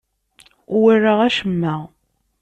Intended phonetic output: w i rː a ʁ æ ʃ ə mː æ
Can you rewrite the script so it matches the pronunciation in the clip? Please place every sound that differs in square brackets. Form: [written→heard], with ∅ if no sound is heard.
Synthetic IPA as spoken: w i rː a ʁ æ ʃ ə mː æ

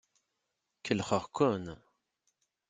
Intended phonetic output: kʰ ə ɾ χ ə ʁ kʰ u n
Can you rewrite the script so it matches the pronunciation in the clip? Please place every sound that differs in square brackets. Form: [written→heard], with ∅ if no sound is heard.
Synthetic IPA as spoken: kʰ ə [ɾ→l] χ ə ʁ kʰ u n

